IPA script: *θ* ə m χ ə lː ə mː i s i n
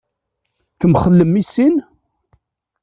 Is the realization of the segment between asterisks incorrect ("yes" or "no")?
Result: no